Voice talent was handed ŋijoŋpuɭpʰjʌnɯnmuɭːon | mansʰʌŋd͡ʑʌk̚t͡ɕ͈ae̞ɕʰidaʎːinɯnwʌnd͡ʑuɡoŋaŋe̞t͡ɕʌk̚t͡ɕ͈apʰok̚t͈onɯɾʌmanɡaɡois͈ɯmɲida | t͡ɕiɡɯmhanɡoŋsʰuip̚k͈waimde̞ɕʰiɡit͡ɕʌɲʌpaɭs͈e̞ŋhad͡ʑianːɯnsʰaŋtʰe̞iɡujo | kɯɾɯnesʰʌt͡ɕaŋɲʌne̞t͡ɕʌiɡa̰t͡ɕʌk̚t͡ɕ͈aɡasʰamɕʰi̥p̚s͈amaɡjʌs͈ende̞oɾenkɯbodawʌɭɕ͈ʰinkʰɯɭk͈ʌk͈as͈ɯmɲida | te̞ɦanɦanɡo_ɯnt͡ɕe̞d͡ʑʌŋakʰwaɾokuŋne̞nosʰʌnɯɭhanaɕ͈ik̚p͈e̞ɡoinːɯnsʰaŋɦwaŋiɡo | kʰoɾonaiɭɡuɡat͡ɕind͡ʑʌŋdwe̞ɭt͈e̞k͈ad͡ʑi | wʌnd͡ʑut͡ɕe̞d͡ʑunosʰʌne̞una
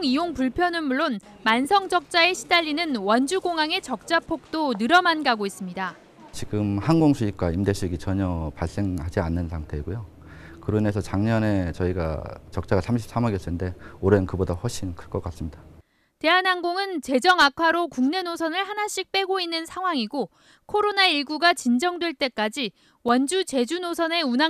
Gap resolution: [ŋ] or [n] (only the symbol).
ŋ